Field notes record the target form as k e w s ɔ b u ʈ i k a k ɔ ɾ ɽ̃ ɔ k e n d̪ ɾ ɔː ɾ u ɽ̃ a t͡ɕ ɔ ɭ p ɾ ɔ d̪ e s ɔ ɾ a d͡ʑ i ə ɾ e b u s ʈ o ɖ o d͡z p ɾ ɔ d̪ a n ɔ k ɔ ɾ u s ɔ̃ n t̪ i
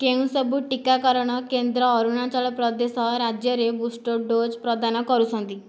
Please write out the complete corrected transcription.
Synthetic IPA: k e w s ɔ b u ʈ i k a k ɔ ɾ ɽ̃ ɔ k e n d̪ ɾ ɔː ɾ u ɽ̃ a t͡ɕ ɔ ɭ p ɾ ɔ d̪ e s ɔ ɾ a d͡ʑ j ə ɾ e b u s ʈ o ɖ o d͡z p ɾ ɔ d̪ a n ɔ k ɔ ɾ u s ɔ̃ n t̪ i